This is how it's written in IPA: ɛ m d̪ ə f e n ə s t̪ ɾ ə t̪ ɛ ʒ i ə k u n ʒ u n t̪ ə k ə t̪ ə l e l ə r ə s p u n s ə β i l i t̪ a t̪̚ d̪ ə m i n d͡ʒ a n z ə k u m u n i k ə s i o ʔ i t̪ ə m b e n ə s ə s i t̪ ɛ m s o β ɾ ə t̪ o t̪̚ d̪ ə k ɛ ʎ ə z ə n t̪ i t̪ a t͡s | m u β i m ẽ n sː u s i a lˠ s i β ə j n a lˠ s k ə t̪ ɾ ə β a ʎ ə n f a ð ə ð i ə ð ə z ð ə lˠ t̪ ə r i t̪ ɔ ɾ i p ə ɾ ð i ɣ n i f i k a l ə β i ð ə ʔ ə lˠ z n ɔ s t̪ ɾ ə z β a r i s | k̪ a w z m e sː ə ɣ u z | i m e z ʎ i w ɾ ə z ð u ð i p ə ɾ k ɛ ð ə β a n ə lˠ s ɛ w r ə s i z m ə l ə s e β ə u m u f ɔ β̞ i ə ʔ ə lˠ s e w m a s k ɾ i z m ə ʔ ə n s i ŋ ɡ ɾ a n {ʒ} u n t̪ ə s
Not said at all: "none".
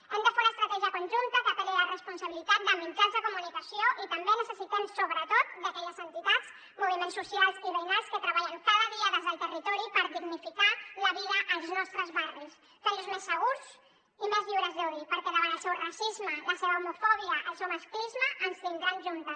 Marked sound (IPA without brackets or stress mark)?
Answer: ʒ